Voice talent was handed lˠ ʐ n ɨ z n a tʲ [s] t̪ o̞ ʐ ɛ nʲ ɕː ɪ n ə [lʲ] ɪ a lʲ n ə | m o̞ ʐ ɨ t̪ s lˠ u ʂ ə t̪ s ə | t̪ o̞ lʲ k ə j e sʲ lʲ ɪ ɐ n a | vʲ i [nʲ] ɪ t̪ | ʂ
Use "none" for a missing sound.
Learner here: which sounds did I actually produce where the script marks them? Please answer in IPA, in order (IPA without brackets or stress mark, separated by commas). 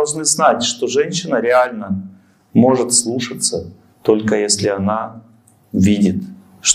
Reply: ʂ, ɾʲ, dʲ